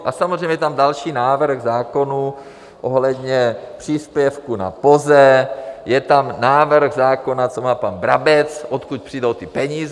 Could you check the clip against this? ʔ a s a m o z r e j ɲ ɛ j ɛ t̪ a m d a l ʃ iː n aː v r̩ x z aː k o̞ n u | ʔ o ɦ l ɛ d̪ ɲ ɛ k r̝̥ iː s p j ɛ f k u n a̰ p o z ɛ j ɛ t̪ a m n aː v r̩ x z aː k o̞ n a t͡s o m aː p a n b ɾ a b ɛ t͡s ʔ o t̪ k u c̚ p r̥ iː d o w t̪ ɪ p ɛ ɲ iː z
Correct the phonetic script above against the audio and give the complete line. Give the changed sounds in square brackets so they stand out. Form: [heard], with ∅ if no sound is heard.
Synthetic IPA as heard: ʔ a s a m o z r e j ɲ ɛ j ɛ t̪ a m d a l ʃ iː n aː v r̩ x z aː k o̞ n u | ʔ o ɦ l ɛ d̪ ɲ ɛ [p] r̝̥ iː s p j ɛ f k u n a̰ p o z ɛ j ɛ t̪ a m n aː v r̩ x z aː k o̞ n a t͡s o m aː p a n b ɾ a b ɛ t͡s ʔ o t̪ k u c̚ p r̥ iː d o w t̪ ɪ p ɛ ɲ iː z